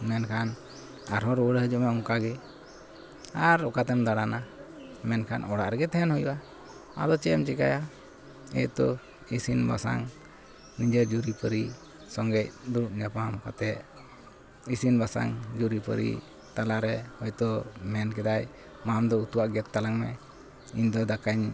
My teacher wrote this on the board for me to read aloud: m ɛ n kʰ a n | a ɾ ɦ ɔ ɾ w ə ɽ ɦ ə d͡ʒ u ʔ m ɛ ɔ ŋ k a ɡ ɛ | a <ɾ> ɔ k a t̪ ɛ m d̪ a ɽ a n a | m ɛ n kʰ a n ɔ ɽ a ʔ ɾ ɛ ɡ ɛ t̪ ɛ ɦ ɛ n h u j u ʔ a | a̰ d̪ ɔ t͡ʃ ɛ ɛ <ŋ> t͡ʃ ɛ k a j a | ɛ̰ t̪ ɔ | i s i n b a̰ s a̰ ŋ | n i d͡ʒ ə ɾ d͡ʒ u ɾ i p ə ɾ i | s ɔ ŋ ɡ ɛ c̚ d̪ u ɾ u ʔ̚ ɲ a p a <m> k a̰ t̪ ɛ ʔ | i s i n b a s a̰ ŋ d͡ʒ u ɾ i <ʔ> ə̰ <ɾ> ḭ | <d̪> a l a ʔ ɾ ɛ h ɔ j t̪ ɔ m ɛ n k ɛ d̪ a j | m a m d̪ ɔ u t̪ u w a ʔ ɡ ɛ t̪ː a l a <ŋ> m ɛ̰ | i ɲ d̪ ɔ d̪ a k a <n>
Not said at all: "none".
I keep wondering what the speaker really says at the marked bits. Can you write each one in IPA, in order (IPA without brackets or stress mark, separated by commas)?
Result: ɾ, m, m, p, ɾ, t̪, ŋ, ɲ